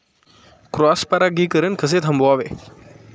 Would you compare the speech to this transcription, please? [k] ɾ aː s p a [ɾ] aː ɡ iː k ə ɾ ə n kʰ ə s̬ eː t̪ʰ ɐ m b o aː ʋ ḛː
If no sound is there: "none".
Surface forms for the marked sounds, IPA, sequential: k, ɾ

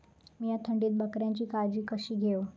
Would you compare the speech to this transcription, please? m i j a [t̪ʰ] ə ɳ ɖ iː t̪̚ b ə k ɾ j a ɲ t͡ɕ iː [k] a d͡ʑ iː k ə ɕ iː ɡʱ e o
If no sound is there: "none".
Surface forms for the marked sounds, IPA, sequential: t̪ʰ, k

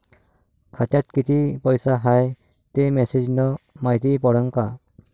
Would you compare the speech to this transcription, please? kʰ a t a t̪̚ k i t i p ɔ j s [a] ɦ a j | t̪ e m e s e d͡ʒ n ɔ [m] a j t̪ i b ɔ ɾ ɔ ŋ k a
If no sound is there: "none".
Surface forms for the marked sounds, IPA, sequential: a, m

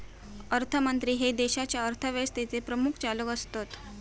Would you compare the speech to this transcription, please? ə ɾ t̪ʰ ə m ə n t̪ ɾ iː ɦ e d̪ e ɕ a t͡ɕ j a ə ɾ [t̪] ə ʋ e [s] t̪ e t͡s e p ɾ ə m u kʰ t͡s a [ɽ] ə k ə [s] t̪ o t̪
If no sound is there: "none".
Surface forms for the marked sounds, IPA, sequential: t̪ʰ, s, l, s

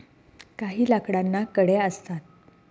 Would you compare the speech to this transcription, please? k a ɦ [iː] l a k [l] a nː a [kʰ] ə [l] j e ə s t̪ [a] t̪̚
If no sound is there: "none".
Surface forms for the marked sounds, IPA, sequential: iː, ɽ, k, ɽ, a

